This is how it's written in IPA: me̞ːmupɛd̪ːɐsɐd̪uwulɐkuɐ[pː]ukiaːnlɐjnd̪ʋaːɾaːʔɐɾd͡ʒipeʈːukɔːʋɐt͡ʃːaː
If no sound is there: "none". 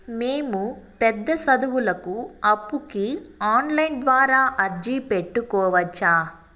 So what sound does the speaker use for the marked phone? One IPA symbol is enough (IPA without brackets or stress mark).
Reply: pː